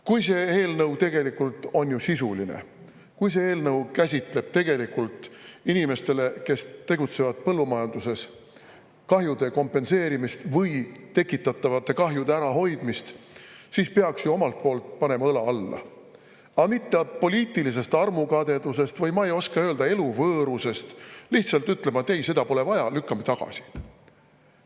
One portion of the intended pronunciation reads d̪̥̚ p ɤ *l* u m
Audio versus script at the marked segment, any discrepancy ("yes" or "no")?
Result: yes